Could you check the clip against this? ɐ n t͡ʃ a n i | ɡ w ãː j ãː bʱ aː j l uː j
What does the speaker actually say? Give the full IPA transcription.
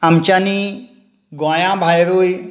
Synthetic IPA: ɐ m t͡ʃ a n i | ɡ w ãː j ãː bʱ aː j ɾ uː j